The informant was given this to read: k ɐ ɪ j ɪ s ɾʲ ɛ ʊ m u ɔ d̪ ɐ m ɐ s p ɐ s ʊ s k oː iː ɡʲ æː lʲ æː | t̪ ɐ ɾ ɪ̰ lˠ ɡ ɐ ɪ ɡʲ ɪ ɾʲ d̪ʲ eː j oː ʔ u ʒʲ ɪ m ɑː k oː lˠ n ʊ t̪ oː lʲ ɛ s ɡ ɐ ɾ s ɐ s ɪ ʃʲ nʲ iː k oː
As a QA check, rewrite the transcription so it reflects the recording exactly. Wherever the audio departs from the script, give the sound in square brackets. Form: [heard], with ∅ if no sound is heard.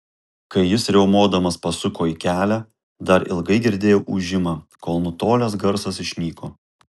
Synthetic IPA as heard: k ɐ ɪ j ɪ s ɾʲ ɛ ʊ m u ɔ d̪ ɐ m ɐ s p ɐ s ʊ [∅] k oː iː [kʲ] æː lʲ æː | [d̪] ɐ ɾ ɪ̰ lˠ ɡ ɐ ɪ ɡʲ ɪ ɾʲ d̪ʲ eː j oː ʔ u ʒʲ ɪ m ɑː k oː lˠ n ʊ t̪ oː lʲ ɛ s ɡ ɐ ɾ s ɐ s ɪ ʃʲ nʲ iː k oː